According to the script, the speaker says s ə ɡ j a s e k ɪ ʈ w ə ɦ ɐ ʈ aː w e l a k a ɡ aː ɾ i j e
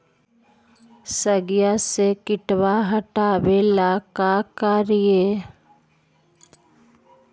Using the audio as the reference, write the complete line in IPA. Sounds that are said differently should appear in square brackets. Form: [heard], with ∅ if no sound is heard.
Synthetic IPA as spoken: s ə ɡ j a s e k ɪ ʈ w [a] ɦ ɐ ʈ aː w e l a k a [k] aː ɾ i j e